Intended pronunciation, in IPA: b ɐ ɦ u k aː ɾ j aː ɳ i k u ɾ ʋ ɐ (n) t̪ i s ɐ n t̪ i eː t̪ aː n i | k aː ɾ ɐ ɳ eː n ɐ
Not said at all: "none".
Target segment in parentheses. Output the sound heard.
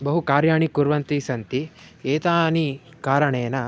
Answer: n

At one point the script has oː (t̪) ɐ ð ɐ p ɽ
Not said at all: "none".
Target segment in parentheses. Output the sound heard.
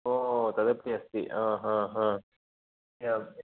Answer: t̪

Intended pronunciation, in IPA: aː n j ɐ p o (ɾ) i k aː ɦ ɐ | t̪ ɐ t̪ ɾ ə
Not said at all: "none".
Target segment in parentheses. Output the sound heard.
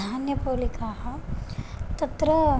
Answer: l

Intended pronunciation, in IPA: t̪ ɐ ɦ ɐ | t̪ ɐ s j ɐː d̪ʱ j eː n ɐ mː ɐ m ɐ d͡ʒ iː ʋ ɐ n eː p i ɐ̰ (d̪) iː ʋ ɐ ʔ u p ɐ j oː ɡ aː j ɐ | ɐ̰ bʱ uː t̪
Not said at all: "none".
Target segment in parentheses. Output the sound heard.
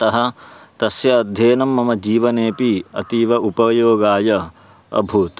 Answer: t̪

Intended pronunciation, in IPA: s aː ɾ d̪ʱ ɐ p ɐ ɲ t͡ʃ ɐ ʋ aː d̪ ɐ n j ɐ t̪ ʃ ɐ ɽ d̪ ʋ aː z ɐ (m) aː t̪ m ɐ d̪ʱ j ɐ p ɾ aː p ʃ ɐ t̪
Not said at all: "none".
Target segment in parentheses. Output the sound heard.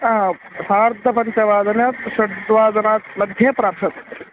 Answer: n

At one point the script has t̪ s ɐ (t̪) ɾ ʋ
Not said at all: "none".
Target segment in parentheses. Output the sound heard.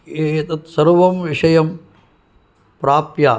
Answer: none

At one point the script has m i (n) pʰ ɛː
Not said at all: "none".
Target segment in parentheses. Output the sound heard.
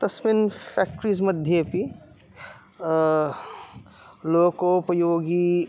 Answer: n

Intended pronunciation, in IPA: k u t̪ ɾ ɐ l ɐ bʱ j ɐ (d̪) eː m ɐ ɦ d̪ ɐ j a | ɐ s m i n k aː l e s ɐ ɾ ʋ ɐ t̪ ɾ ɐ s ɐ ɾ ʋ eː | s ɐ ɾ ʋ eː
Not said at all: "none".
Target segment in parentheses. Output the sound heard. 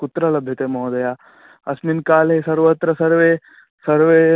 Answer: t̪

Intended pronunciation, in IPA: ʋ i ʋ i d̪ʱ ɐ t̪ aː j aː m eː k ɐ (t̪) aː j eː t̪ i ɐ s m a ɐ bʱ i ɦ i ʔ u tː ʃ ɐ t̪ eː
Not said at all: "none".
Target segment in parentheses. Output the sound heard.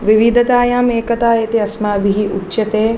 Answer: t̪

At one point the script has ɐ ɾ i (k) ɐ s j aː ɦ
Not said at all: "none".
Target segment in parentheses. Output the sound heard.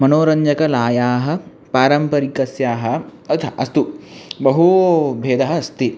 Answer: k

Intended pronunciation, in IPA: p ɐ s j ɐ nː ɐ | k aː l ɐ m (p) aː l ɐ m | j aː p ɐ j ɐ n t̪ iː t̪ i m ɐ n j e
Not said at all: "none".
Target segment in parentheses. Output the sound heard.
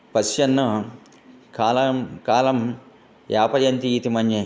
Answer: k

